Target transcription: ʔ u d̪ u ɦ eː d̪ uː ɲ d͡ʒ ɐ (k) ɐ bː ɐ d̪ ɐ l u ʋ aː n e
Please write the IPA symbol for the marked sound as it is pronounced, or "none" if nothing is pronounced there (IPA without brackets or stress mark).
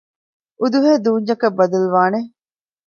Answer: k